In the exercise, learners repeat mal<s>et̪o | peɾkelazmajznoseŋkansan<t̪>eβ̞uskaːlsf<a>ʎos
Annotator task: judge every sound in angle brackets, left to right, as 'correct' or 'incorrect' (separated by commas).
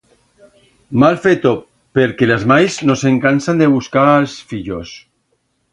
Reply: incorrect, incorrect, incorrect